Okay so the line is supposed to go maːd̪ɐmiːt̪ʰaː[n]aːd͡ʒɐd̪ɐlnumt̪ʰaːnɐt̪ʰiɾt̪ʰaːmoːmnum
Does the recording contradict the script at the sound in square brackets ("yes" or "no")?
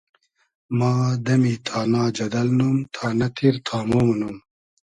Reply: no